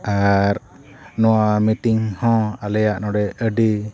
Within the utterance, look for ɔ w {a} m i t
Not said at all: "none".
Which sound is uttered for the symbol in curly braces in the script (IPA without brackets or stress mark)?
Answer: a